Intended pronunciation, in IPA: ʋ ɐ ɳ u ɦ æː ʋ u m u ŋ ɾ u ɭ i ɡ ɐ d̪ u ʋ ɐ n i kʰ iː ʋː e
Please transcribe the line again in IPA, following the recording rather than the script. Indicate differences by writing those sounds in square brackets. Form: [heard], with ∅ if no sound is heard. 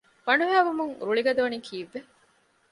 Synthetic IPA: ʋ ɐ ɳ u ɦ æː ʋ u m u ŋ ɾ u ɭ i ɡ ɐ d̪ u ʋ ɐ n i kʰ iː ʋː e

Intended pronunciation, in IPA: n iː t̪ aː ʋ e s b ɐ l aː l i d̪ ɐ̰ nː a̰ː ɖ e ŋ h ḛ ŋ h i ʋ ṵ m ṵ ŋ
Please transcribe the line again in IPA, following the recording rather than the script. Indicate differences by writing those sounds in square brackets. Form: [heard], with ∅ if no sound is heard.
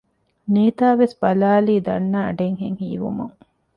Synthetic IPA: n iː t̪ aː ʋ e s b ɐ l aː l [iː] d̪ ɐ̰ nː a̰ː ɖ e ŋ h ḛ ŋ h [iː] ʋ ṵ m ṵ ŋ

